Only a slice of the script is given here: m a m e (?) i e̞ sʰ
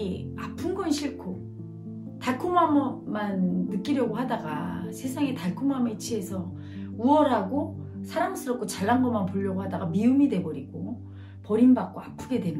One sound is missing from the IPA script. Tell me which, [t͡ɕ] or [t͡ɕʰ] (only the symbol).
t͡ɕʰ